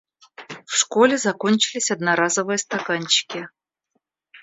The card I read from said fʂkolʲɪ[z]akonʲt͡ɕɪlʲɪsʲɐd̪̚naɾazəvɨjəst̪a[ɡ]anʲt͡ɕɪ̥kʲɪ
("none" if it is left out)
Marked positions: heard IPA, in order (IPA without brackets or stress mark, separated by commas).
z, k